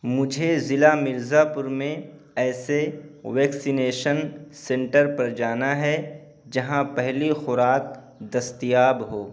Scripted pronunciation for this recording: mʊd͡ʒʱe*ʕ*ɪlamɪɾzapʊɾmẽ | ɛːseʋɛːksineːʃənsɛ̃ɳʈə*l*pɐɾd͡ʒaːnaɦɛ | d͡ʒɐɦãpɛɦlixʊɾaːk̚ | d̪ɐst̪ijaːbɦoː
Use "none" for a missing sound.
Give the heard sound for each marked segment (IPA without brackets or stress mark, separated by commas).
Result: z, ɾ